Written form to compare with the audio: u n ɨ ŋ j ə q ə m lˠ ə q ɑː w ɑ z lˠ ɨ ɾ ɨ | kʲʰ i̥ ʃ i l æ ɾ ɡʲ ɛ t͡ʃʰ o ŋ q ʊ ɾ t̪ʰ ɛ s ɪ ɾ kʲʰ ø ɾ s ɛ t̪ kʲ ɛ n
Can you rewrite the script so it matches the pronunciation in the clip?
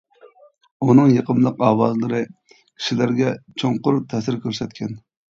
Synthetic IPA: u n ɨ ŋ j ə q ə m lˠ ə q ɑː w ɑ z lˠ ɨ ɾ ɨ | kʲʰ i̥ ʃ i l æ ɾ ɡʲ ɛ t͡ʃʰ o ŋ q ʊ ɾ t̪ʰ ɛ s ɪ ɾ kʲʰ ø ɾ s ɛ t̪ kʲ ɛ n